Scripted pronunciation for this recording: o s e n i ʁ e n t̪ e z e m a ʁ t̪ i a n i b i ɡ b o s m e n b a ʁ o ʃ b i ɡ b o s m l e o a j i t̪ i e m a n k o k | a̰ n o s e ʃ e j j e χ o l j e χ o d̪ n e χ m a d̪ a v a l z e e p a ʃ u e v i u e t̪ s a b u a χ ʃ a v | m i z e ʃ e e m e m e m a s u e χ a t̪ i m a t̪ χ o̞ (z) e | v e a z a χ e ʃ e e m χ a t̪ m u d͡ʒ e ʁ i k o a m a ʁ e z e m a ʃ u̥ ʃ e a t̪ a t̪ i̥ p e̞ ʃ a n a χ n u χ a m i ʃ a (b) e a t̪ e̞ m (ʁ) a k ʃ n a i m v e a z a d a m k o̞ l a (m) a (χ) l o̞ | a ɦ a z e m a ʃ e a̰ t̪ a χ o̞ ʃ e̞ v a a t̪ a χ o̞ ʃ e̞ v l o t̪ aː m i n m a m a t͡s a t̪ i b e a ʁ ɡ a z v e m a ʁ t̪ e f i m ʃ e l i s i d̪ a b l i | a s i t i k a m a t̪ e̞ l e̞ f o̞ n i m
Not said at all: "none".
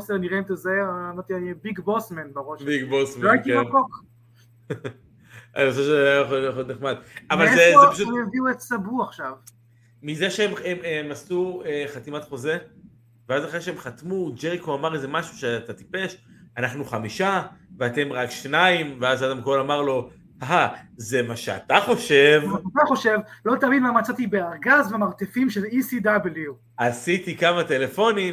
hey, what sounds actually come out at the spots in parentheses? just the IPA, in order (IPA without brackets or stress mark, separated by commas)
z, v, ʁ, m, ʁ